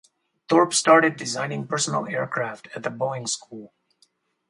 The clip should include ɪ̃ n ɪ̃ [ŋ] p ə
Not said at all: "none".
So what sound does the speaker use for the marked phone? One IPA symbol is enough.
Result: ŋ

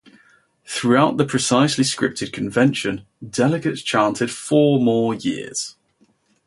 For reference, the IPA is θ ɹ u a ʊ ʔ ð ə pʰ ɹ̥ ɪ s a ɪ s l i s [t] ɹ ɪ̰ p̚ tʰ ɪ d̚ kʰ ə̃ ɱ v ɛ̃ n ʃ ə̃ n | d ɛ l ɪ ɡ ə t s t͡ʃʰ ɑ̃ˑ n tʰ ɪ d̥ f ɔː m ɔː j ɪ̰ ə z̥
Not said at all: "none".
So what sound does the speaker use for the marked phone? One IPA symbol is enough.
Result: k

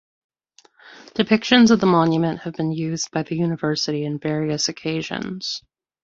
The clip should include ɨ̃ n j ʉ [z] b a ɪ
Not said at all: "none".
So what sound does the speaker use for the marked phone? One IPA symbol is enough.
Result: z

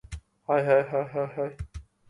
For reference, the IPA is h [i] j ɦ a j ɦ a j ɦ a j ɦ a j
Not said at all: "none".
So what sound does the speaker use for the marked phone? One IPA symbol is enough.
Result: a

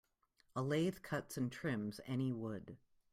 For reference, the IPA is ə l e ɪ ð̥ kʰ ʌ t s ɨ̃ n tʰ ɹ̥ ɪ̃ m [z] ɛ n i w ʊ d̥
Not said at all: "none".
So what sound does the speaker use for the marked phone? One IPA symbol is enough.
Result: z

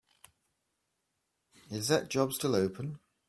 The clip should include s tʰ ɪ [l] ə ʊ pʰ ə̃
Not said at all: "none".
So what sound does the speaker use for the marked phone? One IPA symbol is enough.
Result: l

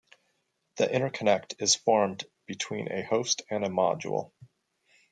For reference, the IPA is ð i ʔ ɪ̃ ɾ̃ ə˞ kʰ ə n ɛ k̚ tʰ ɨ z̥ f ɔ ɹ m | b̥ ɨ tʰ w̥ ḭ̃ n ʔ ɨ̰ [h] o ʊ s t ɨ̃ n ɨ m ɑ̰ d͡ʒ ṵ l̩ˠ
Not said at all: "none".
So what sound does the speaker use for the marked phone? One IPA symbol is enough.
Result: h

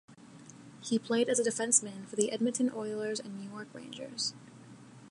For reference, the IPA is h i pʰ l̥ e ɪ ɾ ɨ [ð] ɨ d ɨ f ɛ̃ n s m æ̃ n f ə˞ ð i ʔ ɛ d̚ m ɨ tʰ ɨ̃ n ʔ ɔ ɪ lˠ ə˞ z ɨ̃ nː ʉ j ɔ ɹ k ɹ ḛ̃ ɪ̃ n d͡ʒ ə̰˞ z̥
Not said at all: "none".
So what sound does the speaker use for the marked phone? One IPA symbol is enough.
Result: z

